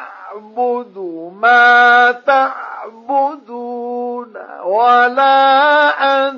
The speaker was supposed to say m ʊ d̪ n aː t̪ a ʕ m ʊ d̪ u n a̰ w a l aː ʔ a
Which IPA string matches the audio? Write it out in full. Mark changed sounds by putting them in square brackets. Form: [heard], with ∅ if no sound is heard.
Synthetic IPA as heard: [b] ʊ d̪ [m] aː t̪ a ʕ [b] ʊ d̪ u n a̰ w a l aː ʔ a